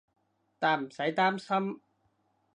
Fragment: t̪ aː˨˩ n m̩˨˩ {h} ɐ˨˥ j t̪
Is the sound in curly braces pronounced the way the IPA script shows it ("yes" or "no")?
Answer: no